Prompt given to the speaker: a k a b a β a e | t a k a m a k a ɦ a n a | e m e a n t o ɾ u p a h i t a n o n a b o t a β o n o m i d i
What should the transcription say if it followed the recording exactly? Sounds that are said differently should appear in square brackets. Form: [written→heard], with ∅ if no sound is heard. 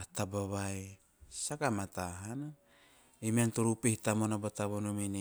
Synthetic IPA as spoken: a [k→t] a b a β a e | [t→s] a k a m a [k→t] a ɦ a n a | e m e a n t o ɾ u p [a→e] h i t a [n→m] o n a b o t a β o n o m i [d→n] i